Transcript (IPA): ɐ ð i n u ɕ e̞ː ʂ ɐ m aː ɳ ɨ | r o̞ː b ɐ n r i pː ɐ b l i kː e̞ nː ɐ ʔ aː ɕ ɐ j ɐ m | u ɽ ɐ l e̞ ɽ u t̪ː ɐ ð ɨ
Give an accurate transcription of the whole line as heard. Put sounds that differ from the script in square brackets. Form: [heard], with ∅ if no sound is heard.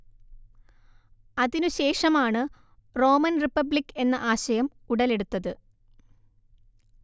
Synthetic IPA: ɐ ð i n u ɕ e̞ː ʂ ɐ m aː ɳ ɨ | r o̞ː [m] ɐ n r i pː ɐ b l i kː e̞ nː ɐ ʔ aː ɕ ɐ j ɐ m | u ɽ ɐ l e̞ ɽ u t̪ː ɐ ð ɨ